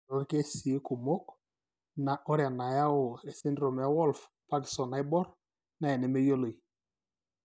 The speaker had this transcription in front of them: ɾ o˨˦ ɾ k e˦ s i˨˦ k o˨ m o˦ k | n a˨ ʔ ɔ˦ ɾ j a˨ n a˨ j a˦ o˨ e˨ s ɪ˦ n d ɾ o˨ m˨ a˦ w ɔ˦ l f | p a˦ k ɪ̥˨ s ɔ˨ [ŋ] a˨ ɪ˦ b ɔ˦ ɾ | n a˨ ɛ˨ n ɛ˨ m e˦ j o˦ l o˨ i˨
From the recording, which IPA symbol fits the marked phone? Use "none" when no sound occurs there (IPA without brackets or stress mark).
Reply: n